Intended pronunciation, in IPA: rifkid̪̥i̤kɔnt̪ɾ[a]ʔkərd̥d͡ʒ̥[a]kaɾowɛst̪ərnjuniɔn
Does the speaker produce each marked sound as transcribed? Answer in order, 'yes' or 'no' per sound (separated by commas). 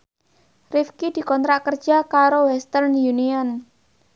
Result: yes, yes